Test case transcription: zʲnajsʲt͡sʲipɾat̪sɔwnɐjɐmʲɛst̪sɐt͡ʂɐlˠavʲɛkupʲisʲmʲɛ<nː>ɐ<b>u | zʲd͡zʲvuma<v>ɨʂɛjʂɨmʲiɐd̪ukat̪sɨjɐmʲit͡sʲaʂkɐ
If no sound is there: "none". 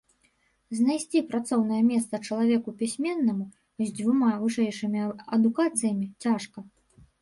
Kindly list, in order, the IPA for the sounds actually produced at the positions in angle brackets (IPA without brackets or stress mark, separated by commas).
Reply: nː, m, v